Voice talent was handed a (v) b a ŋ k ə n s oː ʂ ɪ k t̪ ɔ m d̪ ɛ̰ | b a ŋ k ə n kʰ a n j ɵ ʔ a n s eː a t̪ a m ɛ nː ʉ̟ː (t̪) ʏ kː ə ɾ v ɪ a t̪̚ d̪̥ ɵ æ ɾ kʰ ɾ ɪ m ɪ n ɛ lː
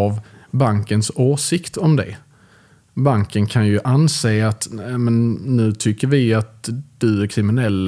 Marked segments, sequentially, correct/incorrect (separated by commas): correct, incorrect